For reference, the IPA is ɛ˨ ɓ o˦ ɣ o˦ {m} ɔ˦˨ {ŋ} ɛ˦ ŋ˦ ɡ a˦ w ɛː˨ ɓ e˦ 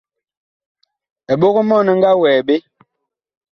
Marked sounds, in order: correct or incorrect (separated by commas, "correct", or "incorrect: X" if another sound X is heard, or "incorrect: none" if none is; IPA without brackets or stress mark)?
correct, incorrect: n